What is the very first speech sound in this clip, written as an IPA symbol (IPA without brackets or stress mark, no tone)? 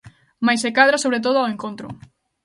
m